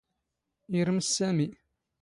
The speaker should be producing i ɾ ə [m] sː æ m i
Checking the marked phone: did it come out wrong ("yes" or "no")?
no